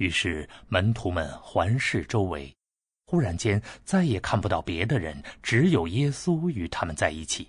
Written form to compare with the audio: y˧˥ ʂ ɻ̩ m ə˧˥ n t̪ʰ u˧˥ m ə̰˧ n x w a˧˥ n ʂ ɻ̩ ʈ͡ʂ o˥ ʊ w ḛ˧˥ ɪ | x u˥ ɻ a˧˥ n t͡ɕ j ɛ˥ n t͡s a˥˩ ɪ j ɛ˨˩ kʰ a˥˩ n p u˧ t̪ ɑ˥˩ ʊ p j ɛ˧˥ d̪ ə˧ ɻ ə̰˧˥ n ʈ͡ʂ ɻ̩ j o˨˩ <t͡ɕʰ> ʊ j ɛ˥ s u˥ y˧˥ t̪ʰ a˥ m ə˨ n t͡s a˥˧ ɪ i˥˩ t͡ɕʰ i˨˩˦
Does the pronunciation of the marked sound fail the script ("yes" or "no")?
yes